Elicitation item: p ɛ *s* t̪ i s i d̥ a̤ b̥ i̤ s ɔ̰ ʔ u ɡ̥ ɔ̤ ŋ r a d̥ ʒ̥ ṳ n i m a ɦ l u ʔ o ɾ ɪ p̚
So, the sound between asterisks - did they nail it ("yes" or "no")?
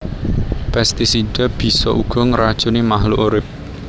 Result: yes